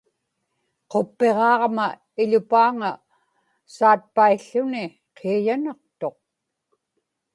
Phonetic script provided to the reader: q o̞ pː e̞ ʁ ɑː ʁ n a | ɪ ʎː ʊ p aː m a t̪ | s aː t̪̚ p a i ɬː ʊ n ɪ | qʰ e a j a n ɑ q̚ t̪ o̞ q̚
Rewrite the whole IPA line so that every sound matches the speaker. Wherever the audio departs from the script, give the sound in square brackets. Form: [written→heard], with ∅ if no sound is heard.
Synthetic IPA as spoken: q o̞ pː e̞ ʁ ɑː ʁ [n→m] a | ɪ [ʎː→ʎ] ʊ p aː [m→ŋ] a [t̪→∅] | s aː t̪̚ p a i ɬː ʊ n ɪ | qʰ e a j a n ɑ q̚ t̪ o̞ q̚